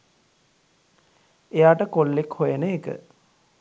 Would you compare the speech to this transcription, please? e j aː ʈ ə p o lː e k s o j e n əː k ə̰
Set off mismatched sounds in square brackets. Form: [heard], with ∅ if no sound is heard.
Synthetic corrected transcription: e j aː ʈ ə [k] o lː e k [h] o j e n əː k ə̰